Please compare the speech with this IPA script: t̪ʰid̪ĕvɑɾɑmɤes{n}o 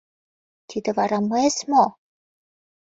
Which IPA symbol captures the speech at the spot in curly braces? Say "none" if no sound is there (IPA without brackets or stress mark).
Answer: m